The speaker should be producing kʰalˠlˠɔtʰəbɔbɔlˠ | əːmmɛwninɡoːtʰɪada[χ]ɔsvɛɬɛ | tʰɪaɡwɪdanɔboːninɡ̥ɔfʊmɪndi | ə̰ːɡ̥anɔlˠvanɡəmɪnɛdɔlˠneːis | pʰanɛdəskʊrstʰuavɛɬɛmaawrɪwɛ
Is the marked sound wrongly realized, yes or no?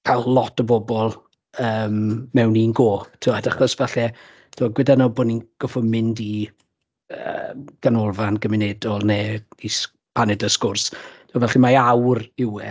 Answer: no